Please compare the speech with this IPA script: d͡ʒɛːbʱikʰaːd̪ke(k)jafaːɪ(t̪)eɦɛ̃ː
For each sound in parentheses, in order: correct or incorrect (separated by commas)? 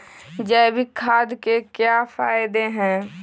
correct, incorrect